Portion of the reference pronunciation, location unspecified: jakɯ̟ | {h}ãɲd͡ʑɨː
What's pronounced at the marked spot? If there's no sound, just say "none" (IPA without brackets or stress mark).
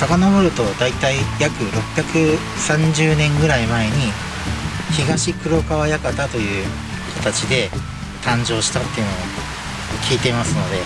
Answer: s